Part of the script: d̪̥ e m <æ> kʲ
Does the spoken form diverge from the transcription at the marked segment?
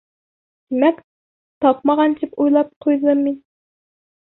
yes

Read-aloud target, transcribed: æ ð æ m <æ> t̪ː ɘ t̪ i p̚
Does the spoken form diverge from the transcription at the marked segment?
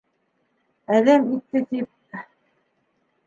yes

